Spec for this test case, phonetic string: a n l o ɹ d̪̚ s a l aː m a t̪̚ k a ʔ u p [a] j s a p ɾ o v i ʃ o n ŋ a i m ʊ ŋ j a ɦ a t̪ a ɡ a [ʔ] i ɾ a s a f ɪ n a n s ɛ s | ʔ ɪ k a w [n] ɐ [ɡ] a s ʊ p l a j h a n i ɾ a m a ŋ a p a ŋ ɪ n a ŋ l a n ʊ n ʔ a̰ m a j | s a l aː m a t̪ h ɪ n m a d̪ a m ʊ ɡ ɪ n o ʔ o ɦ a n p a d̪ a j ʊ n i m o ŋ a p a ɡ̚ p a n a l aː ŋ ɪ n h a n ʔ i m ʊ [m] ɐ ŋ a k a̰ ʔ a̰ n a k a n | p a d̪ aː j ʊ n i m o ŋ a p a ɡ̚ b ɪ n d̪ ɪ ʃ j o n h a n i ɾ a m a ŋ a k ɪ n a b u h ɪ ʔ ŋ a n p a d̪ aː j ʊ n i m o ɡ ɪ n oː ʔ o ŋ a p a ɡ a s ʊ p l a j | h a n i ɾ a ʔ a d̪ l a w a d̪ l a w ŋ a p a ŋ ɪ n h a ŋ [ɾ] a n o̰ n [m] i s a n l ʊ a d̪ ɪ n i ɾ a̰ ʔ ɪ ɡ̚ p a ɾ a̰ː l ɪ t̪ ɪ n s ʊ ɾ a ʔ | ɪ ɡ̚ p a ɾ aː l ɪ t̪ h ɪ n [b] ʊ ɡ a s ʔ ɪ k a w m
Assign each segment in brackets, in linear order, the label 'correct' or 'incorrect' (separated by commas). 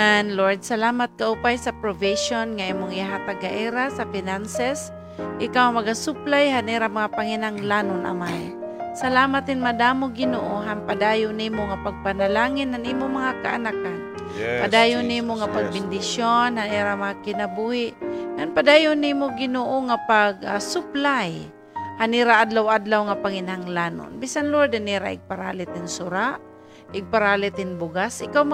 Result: correct, correct, incorrect, correct, correct, incorrect, incorrect, correct